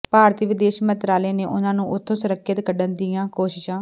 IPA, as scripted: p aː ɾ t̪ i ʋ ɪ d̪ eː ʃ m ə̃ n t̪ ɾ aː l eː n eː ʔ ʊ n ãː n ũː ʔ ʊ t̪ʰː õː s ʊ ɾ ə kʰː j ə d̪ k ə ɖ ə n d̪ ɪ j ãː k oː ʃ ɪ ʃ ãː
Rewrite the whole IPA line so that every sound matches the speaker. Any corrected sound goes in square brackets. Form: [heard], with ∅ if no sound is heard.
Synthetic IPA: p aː ɾ t̪ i ʋ ɪ d̪ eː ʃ m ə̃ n t̪ ɾ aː l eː n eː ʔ ʊ n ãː n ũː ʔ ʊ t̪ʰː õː s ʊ ɾ ə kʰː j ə [t̪] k ə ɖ ə n d̪ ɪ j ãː k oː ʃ ɪ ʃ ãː